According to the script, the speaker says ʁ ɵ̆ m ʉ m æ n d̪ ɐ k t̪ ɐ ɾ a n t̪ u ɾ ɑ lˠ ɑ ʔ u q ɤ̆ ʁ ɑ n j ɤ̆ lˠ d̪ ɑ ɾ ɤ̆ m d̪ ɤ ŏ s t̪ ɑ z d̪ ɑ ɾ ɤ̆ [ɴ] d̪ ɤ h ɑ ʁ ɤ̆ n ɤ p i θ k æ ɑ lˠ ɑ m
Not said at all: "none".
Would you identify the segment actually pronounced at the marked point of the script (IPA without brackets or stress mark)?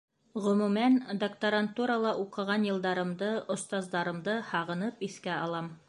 m